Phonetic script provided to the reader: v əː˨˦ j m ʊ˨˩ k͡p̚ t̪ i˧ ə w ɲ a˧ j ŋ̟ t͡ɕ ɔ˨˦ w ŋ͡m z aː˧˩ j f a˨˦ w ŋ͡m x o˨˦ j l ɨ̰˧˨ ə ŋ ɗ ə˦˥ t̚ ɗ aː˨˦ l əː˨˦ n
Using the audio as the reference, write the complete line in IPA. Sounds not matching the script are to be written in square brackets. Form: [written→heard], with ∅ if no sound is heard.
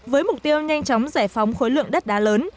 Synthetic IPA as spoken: v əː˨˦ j m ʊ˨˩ k͡p̚ t̪ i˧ ə w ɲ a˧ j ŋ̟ t͡ɕ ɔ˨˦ w ŋ͡m z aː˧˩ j f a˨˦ w ŋ͡m x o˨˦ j l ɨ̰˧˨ ə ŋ ɗ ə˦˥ t̚ ɗ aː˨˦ l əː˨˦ n